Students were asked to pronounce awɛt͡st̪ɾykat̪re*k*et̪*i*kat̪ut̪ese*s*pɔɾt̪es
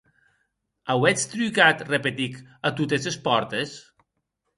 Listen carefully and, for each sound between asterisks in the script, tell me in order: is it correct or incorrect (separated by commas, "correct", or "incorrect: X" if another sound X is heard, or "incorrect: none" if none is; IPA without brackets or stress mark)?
incorrect: p, correct, correct